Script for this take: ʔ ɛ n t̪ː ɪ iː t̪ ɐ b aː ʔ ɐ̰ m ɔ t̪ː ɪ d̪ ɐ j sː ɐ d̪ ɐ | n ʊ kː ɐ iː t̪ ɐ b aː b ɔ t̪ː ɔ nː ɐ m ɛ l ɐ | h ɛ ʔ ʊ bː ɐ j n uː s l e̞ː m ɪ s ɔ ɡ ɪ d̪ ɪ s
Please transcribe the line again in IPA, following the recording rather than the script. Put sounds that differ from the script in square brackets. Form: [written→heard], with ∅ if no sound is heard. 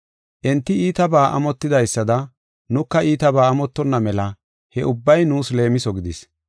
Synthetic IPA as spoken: ʔ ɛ n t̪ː ɪ iː t̪ ɐ b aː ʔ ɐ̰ m ɔ t̪ː ɪ d̪ ɐ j sː ɐ d̪ ɐ | n ʊ kː ɐ iː t̪ ɐ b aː [b→m] ɔ t̪ː ɔ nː ɐ m ɛ l ɐ | h ɛ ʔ ʊ bː ɐ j n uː s l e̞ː m ɪ s ɔ ɡ ɪ d̪ ɪ s